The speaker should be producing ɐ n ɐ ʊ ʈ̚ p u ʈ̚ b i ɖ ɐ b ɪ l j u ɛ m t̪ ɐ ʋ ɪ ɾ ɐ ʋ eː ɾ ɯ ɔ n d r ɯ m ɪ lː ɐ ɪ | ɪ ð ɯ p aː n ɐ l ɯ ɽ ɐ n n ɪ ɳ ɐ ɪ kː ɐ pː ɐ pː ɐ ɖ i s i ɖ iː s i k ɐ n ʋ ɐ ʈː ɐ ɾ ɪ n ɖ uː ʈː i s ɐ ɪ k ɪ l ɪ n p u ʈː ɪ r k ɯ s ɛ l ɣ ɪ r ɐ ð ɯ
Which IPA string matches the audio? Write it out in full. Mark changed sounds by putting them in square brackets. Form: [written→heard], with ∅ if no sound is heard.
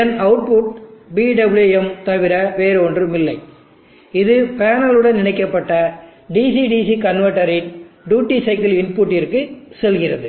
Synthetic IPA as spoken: ɐ n ɐ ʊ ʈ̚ p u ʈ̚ b i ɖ ɐ b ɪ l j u ɛ m t̪ ɐ ʋ ɪ ɾ ɐ ʋ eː ɾ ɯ ɔ n d r ɯ m ɪ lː ɐ ɪ | ɪ ð ɯ p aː n ɐ l ɯ ɽ ɐ n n ɪ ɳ ɐ ɪ kː ɐ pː ɐ [pː→ʈː] ɐ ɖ i s i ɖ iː s i k ɐ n ʋ ɐ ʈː ɐ ɾ ɪ n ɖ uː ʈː i s ɐ ɪ k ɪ l ɪ n p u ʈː ɪ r k ɯ s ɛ l ɣ ɪ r ɐ ð ɯ

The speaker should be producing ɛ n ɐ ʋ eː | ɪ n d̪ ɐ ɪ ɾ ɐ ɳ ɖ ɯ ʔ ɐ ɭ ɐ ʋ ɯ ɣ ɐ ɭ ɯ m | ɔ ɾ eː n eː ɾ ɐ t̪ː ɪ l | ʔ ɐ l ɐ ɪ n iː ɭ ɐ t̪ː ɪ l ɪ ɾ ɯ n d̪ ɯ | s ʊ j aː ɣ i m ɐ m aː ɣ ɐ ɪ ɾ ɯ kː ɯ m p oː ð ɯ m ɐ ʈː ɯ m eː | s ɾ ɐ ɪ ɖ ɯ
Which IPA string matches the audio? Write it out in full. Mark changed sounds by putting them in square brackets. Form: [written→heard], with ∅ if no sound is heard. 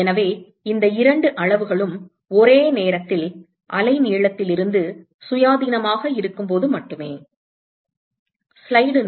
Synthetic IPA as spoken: ɛ n ɐ ʋ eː | ɪ n d̪ ɐ ɪ ɾ ɐ ɳ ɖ ɯ ʔ ɐ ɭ ɐ ʋ ɯ ɣ ɐ ɭ ɯ m | ɔ ɾ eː n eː ɾ ɐ t̪ː ɪ l | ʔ ɐ l ɐ ɪ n iː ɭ ɐ t̪ː ɪ l ɪ ɾ ɯ n d̪ ɯ | s ʊ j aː [ɣ→ð] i [m→n] ɐ m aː ɣ ɐ ɪ ɾ ɯ kː ɯ m p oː ð ɯ m ɐ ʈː ɯ m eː | s [ɾ→l] ɐ ɪ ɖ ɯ

